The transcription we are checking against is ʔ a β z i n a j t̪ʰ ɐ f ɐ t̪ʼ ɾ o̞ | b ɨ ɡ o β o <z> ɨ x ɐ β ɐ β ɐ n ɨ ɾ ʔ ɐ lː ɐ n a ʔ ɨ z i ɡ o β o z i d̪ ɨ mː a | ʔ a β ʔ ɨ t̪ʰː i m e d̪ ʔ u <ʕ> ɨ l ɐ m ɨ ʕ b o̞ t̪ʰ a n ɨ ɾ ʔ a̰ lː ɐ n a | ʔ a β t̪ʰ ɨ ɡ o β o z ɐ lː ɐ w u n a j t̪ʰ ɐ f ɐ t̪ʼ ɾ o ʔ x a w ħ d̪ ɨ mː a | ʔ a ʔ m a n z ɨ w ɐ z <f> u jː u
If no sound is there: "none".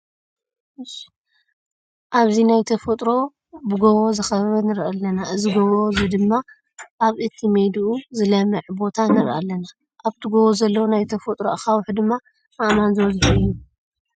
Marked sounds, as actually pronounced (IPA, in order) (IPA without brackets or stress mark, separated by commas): z, z, ħ